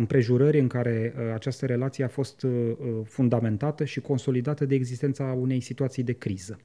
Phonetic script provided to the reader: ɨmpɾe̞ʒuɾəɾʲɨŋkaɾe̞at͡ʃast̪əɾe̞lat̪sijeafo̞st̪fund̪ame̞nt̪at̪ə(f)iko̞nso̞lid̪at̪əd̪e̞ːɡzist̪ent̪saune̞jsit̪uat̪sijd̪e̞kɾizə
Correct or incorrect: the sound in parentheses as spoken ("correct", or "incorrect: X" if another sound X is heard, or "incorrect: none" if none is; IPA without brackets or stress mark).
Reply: incorrect: ʃ